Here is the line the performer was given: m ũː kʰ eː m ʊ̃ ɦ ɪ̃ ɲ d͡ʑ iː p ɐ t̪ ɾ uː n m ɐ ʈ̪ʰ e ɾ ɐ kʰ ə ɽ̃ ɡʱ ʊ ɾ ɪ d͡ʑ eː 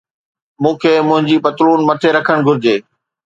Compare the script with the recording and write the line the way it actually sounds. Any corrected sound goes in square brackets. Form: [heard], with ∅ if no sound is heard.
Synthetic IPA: m ũː kʰ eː m ʊ̃ ɦ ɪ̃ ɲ d͡ʑ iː p ɐ t̪ ɾ uː n m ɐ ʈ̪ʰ e ɾ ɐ kʰ ə ɽ̃ ɡʱ ʊ ɾ ɪ d͡ʑ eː